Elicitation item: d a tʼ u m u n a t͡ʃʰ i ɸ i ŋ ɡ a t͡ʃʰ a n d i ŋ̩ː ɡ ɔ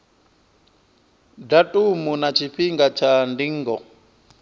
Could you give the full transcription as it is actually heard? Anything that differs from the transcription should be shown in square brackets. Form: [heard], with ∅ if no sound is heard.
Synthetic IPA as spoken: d a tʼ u m u n a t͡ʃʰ i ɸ i ŋ ɡ a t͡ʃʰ a n d i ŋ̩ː ɡ ɔ